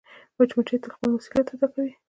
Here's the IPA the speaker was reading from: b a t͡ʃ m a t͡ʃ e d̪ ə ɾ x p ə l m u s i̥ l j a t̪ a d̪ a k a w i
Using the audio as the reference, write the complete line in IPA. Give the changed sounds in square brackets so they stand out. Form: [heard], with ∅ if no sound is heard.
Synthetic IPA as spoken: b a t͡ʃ m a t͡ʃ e [t̪] ə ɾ x p ə l m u s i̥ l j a t̪ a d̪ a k a w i